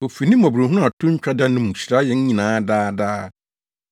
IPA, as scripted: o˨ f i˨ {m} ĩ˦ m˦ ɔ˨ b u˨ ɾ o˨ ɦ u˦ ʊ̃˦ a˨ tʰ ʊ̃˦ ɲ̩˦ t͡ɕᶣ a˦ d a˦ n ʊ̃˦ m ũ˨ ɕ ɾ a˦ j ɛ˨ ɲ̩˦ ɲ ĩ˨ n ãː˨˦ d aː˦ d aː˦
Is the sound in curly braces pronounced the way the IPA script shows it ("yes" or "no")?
no